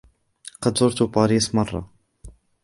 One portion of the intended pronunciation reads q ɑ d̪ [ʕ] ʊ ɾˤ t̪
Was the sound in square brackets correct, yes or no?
no